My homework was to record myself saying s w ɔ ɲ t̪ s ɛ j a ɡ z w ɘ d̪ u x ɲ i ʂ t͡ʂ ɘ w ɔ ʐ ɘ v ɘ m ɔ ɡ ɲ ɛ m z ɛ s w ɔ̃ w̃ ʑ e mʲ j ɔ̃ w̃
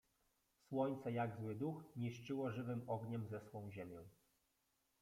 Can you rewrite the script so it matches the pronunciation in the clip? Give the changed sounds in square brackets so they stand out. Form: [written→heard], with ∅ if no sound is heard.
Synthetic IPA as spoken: s w ɔ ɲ t̪ s ɛ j a ɡ z w ɘ d̪ u x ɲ i ʂ t͡ʂ ɘ w ɔ ʐ ɘ v ɘ m ɔ ɡ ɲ ɛ m z ɛ s w ɔ̃ w̃ ʑ e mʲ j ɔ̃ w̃